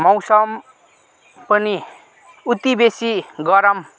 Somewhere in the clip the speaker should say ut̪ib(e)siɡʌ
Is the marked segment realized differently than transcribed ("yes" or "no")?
no